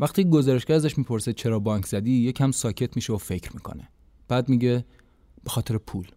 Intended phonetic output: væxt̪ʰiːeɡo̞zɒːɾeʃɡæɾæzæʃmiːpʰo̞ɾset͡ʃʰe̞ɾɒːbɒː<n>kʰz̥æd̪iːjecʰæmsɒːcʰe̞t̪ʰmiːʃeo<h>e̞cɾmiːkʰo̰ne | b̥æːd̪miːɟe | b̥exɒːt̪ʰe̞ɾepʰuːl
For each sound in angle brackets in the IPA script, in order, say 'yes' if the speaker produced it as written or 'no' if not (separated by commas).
no, no